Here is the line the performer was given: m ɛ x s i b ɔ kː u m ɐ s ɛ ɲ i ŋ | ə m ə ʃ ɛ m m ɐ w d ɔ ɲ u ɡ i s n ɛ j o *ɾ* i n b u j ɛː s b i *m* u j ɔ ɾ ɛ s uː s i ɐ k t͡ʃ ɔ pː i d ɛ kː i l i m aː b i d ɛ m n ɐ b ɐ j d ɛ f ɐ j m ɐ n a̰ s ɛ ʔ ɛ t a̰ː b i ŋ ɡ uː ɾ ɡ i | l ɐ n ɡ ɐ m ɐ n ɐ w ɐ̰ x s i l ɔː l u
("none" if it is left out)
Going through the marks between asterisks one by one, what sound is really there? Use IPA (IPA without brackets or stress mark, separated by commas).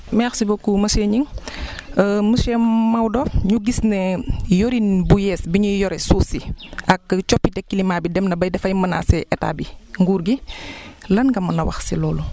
ɾ, ɲ